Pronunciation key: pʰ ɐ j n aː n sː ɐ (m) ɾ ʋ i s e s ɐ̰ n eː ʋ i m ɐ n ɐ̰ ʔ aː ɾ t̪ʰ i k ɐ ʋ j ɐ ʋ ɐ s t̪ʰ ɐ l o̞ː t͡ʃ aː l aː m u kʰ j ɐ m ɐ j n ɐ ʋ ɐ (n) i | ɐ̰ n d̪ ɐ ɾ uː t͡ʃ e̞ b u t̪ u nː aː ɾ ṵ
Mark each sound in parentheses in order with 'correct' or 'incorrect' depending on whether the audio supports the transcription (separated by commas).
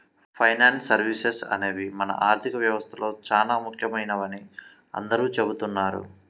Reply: incorrect, correct